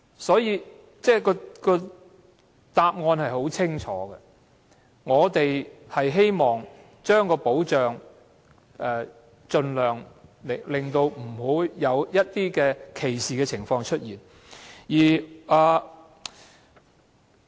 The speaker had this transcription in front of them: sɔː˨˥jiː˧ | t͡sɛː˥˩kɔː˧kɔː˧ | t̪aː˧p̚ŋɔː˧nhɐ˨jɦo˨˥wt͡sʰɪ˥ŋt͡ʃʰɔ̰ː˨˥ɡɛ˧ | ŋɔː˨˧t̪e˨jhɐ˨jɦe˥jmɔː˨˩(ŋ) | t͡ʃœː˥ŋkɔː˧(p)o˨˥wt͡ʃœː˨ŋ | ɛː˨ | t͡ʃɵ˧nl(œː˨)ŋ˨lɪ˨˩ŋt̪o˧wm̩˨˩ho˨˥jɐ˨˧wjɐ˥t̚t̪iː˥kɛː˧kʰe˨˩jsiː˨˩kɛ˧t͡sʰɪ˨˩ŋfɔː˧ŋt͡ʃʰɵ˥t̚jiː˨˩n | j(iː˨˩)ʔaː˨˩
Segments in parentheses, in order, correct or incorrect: correct, correct, correct, correct

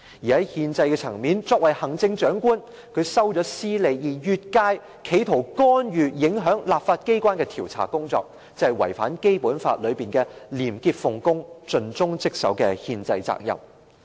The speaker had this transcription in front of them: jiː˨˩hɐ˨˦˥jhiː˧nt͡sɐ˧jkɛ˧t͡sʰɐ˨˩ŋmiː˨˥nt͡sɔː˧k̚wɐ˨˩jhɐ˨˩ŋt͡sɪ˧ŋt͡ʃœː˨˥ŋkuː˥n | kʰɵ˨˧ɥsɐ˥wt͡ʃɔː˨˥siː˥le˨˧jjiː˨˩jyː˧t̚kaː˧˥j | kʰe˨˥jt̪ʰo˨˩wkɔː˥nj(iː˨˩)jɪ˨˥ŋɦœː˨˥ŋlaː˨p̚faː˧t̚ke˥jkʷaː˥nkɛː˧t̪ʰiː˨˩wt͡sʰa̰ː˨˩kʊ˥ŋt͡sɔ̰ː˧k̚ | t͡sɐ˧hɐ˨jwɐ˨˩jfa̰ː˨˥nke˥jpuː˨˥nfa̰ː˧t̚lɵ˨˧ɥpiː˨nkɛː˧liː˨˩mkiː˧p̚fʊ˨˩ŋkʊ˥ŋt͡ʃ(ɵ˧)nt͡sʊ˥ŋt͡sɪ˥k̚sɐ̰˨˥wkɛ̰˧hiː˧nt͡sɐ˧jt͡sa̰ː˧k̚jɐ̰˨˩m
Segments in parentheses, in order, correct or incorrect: incorrect: yː˨˩, correct

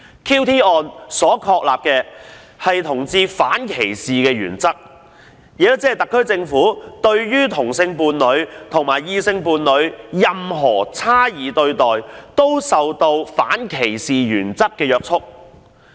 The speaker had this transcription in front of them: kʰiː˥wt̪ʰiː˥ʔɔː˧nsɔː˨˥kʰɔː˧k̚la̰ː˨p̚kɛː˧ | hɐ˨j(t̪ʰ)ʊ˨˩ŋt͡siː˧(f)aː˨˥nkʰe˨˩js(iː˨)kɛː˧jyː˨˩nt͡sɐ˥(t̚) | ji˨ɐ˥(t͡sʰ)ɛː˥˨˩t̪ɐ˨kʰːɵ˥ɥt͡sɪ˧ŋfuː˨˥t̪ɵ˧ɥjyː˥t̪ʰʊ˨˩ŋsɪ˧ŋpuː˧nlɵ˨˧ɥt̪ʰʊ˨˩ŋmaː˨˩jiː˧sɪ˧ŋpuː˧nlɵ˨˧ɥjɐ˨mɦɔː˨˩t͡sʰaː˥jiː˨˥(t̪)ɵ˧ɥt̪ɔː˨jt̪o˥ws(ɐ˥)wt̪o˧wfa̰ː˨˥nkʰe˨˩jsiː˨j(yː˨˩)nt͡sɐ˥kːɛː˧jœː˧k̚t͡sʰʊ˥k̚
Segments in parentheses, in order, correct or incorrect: correct, correct, correct, incorrect: k̚, incorrect: t͡s, correct, incorrect: ɐ˨, correct

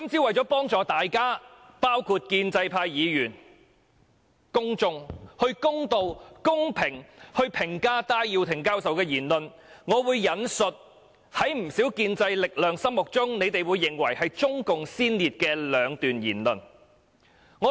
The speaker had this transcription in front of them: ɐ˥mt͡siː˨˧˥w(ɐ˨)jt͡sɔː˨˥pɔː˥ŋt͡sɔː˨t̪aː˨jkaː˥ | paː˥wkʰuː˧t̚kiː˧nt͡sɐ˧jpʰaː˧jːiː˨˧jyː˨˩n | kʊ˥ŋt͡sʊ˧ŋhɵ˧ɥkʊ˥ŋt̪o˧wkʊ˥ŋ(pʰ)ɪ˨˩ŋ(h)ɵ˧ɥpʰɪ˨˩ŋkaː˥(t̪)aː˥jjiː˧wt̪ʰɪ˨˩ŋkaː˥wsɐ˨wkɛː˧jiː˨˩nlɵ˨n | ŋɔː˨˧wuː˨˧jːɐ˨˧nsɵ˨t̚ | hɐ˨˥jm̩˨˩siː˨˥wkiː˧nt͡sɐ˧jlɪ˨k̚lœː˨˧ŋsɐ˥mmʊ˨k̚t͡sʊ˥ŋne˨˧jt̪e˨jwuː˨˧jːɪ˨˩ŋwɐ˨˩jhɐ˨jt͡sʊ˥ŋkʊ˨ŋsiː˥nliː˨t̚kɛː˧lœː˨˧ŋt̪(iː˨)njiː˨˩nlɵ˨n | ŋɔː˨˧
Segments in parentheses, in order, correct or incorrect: correct, correct, correct, correct, incorrect: yː˨

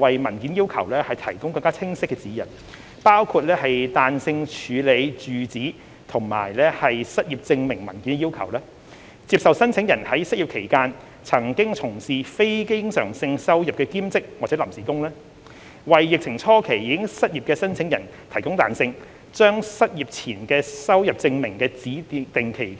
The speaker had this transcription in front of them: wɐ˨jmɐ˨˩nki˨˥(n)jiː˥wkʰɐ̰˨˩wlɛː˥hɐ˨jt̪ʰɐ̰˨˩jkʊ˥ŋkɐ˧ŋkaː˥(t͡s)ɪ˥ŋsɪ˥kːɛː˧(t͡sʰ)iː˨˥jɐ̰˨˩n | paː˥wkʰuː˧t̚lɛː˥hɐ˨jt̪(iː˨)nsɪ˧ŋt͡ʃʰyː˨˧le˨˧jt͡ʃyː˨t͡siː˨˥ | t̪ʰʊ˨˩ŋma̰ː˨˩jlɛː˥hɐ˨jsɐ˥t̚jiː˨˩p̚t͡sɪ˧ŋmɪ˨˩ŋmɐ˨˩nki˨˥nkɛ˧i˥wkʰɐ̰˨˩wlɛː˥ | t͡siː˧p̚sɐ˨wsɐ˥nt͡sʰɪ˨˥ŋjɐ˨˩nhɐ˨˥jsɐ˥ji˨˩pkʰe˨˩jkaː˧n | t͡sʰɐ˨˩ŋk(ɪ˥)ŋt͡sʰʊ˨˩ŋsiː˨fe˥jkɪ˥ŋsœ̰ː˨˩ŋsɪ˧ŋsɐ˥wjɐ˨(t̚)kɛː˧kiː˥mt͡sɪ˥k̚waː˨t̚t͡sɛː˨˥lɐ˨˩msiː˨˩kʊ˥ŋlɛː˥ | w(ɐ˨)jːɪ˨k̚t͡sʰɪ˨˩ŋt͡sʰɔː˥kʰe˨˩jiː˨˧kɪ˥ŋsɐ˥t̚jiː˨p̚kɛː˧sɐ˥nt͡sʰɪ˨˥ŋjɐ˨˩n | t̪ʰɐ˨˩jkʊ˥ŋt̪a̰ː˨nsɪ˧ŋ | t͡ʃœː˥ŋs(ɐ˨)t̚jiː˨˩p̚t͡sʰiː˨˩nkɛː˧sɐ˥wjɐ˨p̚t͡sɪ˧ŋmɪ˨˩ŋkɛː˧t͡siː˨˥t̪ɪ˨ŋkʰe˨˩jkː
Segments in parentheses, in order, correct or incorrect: correct, incorrect: t͡sʰ, incorrect: t͡s, incorrect: aː˨, correct, incorrect: p̚, correct, incorrect: ɐ˥

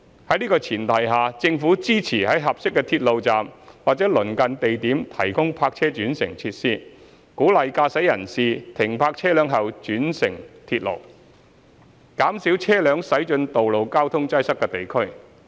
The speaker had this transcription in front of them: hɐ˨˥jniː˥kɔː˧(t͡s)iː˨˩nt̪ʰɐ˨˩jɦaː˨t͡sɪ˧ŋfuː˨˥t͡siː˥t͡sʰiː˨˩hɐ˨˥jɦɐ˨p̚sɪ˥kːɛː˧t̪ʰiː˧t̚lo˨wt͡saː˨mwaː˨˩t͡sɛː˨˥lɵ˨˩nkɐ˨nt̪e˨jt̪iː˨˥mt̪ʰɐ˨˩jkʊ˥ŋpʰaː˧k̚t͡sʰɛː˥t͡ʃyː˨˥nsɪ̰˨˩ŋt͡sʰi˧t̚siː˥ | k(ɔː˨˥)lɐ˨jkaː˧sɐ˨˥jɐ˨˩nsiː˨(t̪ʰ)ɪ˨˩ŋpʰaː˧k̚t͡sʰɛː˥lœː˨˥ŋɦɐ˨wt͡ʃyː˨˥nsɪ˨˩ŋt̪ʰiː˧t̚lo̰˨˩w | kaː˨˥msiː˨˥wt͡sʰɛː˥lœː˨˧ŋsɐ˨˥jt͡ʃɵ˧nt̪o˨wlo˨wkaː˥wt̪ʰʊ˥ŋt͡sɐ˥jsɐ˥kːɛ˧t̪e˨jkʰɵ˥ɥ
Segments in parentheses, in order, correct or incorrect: incorrect: t͡sʰ, incorrect: uː˨˥, correct

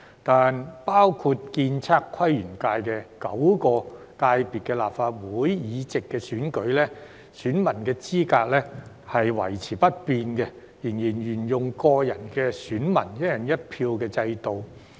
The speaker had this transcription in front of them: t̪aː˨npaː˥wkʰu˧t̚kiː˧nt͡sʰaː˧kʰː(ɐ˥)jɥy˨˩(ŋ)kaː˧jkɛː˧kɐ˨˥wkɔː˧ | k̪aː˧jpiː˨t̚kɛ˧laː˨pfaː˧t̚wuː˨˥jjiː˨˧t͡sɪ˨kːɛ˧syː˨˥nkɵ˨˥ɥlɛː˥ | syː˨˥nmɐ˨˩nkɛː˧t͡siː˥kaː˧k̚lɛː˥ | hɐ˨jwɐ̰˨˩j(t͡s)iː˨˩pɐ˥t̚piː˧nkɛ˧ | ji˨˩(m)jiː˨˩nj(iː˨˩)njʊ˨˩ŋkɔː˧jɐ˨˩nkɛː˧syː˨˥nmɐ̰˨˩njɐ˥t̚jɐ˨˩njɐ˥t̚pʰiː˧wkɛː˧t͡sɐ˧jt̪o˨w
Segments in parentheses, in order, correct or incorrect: correct, incorrect: n, incorrect: t͡sʰ, incorrect: n, incorrect: yː˨˩

